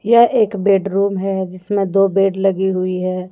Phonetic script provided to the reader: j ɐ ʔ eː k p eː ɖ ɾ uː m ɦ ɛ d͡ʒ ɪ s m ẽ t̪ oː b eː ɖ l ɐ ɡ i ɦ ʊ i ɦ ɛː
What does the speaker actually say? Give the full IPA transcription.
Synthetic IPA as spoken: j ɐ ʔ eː k b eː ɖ ɾ uː m ɦ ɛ d͡ʒ ɪ s m ẽ d̪ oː b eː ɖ l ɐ ɡ i ɦ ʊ i ɦ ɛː

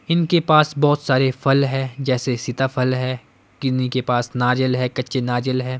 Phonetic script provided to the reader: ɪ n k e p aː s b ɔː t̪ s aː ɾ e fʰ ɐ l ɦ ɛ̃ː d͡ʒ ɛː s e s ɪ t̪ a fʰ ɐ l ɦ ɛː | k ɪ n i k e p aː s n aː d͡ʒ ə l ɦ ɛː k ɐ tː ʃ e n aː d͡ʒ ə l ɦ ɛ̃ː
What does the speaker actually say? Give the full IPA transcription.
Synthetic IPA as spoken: ɪ n k e p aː s b ɔː t̪ s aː ɾ e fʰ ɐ l ɦ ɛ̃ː d͡ʒ ɛː s e s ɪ t̪ a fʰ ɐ l ɦ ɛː | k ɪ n i k e p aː s n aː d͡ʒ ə l ɦ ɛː k ɐ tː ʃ e n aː d͡ʒ ə l ɦ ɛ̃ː

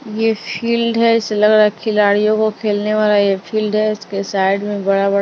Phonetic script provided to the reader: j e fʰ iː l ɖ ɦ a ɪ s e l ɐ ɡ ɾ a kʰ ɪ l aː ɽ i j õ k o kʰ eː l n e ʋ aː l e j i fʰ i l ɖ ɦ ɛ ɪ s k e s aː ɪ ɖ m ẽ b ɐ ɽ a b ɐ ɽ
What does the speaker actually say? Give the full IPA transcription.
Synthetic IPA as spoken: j e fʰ iː l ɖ ɦ ɛ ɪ s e l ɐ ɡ ɾ a kʰ ɪ l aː ɽ i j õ k o kʰ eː l n e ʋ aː l a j e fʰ iː l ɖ ɦ ɛ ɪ s k e s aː ɪ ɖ m ẽ b ɐ ɽ a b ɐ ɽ

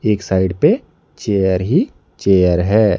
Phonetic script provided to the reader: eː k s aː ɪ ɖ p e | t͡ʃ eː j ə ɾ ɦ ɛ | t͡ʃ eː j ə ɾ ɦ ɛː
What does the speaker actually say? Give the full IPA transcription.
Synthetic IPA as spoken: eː k s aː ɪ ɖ p e | t͡ʃ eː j ə ɾ ɦ i | t͡ʃ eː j ə ɾ ɦ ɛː

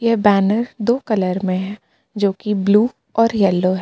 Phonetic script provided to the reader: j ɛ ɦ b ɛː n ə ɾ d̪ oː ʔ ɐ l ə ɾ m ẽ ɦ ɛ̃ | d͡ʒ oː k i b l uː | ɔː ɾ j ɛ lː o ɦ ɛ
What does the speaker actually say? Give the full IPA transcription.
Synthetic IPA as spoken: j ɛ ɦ b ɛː n ə ɾ d̪ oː k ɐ l ə ɾ m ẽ ɦ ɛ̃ | d͡ʒ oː k i b l uː | ɔː ɾ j ɛ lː o ɦ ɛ

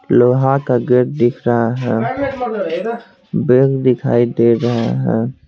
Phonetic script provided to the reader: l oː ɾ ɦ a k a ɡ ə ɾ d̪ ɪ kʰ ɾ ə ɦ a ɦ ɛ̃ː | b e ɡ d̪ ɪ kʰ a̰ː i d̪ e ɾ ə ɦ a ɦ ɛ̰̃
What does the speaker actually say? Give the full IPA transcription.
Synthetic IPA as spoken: l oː ɦ a k a ɡ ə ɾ d̪ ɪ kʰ ɾ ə ɦ a ɦ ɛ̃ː | b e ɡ d̪ ɪ kʰ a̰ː i d̪ e ɾ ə ɦ a ɦ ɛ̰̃

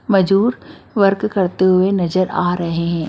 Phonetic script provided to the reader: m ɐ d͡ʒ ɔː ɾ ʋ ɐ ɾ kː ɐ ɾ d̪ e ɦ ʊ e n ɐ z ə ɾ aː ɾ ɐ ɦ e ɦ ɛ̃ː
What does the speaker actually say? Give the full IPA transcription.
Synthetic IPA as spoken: m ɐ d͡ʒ uː ɾ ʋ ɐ ɾ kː ɐ ɾ t̪ e ɦ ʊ e n ɐ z ə ɾ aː ɾ ɐ ɦ e ɦ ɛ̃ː

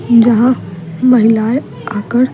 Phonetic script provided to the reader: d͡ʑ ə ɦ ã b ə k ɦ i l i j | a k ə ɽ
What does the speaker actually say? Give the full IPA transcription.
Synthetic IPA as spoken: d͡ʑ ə ɦ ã m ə ɦ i l a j | a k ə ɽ

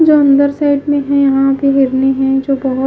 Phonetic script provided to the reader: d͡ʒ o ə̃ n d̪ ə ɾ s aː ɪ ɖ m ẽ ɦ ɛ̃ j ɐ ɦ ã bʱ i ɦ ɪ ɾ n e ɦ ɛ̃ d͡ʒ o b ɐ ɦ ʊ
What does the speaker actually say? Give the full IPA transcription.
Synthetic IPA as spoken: d͡ʒ o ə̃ n d̪ ə ɾ s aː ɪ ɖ m ẽ ɦ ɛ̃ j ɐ ɦ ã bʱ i ɦ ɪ ɾ n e ɦ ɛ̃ d͡ʒ o b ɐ ɦ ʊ

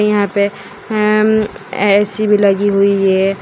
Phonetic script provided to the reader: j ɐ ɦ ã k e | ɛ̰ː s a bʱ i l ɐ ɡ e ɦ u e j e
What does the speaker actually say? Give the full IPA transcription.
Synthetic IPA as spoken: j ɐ ɦ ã p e | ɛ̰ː s i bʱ i l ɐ ɡ i ɦ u i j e

